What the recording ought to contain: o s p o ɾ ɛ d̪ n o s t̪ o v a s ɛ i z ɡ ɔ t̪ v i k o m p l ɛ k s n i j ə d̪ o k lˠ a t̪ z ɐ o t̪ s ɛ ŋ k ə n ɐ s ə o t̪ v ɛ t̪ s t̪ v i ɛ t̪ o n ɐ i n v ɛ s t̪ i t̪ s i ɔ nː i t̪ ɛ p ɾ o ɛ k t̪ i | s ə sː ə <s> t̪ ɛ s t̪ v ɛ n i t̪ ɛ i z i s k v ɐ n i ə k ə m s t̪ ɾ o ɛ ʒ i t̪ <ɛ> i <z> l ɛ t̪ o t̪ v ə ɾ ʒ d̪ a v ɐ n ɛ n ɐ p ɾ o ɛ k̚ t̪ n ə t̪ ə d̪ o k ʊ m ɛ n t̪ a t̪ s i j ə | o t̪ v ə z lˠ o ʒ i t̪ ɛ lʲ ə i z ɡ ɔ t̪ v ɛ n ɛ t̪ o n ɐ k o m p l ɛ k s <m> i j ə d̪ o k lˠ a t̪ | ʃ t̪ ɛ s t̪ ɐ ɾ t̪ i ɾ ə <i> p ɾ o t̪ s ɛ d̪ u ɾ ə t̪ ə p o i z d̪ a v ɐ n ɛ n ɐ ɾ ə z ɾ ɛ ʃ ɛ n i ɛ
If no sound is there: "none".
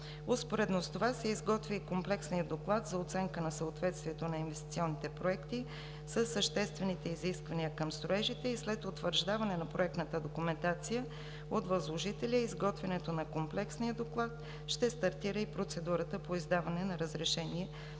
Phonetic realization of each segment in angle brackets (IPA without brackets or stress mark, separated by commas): ʃ, ɛ, s, n, i